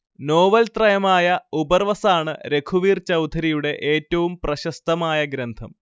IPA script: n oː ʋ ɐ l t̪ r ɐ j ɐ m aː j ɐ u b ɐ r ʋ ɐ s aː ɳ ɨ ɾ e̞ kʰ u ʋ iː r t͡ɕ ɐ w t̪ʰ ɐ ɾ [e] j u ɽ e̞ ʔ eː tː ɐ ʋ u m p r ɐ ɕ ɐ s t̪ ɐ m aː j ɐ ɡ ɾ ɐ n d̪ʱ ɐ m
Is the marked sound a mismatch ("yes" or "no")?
yes